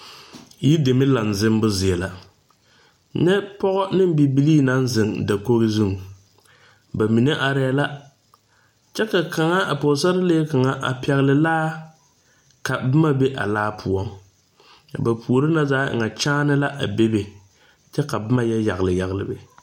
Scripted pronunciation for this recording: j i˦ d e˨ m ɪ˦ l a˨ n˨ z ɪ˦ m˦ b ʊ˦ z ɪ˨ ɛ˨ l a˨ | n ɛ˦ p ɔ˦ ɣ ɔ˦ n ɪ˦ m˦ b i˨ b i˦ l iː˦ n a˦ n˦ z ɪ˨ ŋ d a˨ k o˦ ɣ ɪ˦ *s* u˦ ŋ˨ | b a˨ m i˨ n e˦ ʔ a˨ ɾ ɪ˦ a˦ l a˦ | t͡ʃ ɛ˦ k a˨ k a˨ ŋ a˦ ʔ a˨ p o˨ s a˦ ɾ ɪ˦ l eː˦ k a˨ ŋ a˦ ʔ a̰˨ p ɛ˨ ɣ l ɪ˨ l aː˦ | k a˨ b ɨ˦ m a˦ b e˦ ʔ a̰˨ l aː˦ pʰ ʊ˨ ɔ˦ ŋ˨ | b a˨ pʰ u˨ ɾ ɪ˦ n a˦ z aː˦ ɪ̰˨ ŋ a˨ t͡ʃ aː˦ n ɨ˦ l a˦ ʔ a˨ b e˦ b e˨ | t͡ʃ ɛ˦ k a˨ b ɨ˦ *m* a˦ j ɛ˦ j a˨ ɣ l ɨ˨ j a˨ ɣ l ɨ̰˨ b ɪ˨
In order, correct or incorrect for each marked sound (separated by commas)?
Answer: incorrect, correct